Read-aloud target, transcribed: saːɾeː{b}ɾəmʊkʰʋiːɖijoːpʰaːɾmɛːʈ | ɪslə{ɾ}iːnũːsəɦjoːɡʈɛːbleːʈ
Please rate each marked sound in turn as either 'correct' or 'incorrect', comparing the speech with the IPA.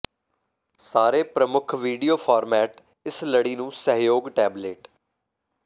incorrect, incorrect

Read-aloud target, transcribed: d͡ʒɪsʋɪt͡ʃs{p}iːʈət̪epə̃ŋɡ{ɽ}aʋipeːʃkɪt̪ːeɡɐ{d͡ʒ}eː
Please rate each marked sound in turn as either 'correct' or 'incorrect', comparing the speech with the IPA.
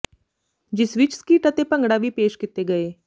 incorrect, correct, incorrect

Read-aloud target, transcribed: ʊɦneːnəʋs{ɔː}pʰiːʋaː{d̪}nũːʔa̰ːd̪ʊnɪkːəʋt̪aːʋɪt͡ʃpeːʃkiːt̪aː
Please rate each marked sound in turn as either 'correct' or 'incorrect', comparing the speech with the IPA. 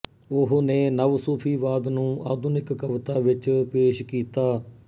incorrect, correct

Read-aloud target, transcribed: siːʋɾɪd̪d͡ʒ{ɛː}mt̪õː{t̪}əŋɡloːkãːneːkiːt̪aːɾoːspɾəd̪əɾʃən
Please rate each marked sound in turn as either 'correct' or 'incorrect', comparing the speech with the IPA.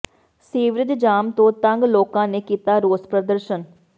incorrect, correct

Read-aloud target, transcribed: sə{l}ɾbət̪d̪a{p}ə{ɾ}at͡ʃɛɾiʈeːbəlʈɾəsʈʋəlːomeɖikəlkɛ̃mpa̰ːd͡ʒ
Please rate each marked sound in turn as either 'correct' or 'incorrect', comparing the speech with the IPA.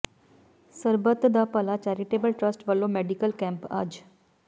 incorrect, correct, incorrect

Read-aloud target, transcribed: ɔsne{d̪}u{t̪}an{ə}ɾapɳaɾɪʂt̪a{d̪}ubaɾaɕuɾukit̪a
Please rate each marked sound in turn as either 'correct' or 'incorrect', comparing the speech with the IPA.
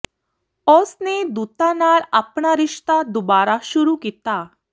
correct, correct, incorrect, correct

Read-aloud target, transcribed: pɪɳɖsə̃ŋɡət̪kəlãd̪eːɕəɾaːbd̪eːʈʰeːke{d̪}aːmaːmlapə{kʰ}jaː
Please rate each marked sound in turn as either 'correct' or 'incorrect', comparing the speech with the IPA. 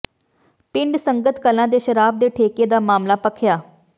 correct, correct

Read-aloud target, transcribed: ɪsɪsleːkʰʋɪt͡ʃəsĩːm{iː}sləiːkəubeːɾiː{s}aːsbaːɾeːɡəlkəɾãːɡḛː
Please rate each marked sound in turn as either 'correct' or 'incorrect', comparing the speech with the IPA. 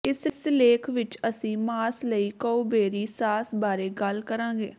incorrect, correct

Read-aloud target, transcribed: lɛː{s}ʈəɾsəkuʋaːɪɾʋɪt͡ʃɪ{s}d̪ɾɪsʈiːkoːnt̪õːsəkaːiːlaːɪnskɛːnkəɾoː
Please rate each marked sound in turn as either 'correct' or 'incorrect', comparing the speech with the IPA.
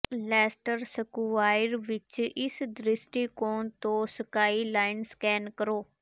correct, correct

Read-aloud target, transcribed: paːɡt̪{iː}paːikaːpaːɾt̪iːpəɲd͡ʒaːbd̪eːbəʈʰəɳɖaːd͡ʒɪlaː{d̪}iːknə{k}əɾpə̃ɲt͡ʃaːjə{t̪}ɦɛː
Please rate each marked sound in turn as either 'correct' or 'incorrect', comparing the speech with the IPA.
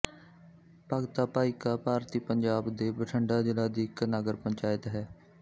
incorrect, correct, incorrect, correct

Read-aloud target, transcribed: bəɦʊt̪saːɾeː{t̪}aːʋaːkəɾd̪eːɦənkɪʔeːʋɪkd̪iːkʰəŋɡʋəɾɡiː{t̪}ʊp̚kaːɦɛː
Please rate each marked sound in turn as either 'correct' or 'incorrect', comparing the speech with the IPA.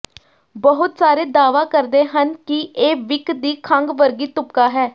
incorrect, correct

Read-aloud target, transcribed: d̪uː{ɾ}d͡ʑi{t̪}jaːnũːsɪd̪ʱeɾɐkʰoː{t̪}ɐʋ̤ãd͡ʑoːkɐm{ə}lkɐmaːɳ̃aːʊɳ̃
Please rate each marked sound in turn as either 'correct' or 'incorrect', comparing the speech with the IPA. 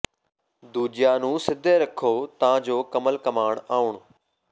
incorrect, incorrect, correct, correct

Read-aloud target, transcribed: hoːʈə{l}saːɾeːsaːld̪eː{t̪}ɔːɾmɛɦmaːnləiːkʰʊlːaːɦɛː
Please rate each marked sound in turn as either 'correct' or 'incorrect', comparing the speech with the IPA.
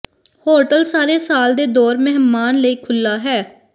correct, incorrect

